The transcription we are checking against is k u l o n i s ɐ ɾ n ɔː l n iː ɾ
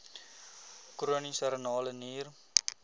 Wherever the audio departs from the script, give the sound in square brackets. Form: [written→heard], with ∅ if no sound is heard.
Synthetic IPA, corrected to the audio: k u [l→ɾ] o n i s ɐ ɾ n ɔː l n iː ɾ